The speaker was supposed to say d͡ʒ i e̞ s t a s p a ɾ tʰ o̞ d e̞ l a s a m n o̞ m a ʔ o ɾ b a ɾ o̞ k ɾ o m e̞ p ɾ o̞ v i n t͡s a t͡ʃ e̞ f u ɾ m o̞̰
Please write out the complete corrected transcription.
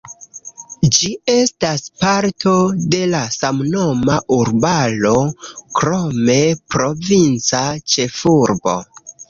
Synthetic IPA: d͡ʒ i e̞ s t a s p a ɾ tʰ o̞ d e̞ l a s a m n o̞ m a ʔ u ɾ b a l o̞ k ɾ o m e̞ p ɾ o̞ v i n t͡s a t͡ʃ e̞ f u ɾ b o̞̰